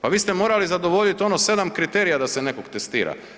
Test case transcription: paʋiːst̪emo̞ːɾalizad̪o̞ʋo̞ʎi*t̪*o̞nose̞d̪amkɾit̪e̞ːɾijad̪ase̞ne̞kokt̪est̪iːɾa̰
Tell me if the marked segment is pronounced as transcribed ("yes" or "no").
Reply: yes